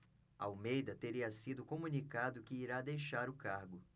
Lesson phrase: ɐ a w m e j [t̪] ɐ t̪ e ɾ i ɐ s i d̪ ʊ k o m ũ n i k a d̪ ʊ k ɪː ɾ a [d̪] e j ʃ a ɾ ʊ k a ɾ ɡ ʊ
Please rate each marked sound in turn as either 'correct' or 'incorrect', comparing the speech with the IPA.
incorrect, correct

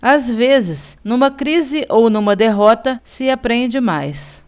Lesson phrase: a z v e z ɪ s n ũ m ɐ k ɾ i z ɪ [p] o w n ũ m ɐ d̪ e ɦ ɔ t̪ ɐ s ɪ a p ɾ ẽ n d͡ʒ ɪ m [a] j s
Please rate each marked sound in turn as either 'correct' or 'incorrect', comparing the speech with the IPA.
incorrect, correct

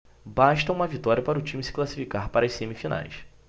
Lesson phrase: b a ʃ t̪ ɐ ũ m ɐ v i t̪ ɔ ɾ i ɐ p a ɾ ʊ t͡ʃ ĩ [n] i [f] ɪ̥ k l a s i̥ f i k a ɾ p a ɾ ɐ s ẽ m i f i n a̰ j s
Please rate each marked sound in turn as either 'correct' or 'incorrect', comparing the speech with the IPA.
incorrect, incorrect

